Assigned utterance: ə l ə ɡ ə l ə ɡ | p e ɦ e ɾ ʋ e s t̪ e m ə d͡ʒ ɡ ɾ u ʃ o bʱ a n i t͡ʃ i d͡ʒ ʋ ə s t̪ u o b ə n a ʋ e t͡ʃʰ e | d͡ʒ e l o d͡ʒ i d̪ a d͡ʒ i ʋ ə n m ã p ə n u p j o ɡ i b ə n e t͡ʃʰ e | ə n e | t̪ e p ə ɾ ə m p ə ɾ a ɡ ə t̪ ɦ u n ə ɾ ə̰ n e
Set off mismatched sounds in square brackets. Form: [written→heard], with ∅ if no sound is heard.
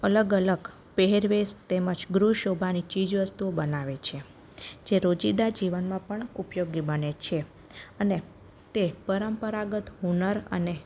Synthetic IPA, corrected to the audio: ə l ə ɡ ə l ə ɡ | p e ɦ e ɾ ʋ e s t̪ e m ə d͡ʒ ɡ ɾ u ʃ o bʱ a n i t͡ʃ i d͡ʒ ʋ ə s t̪ u o b ə n a ʋ e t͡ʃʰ e | d͡ʒ e [l→ɾ] o d͡ʒ i d̪ a d͡ʒ i ʋ ə n m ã p ə [n→ɳ] u p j o ɡ i b ə n e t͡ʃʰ e | ə n e | t̪ e p ə ɾ ə m p ə ɾ a ɡ ə t̪ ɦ u n ə ɾ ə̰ n e